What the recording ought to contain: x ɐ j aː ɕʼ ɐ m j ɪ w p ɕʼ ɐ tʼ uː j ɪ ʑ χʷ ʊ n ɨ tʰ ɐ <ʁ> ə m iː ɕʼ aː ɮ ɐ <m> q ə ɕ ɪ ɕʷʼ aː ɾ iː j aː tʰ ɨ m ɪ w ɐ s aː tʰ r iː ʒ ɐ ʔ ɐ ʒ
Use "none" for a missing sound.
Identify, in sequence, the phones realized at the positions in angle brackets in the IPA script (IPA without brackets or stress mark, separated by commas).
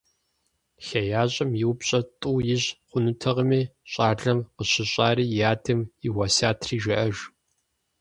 ʁ, m